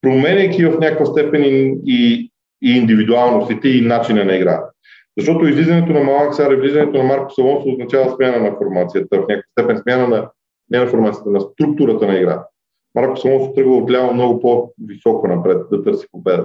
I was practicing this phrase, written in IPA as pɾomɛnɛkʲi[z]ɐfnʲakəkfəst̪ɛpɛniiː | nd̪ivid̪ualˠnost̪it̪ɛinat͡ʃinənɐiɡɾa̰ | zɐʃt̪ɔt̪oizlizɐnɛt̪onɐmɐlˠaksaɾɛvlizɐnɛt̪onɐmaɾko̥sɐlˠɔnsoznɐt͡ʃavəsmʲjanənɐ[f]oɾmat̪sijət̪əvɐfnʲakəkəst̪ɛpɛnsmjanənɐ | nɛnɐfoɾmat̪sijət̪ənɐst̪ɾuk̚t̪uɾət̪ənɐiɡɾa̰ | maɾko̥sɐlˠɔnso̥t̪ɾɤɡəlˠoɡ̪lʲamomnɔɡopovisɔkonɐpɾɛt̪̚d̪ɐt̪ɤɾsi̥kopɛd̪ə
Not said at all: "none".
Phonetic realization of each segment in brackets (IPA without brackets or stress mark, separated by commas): v, f